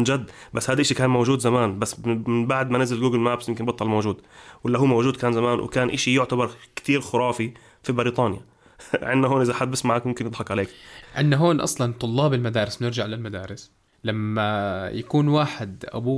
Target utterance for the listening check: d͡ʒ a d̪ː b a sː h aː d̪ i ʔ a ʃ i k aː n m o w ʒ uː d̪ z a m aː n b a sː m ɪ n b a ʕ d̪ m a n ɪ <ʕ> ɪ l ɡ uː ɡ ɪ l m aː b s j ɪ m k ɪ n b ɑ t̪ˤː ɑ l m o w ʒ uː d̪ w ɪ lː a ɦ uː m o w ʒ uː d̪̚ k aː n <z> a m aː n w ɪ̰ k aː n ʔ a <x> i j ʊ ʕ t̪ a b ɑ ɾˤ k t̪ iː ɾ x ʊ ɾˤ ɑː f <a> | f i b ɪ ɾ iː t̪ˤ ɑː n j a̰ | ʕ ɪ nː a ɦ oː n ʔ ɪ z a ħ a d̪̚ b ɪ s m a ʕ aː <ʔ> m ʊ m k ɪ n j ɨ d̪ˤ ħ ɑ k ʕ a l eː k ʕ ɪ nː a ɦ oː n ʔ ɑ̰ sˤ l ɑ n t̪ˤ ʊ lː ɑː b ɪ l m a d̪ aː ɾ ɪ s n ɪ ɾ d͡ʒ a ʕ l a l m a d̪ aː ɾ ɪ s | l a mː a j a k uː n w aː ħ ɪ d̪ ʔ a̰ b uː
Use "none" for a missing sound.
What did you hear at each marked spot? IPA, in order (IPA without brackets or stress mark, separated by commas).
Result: z, z, ʃ, i, k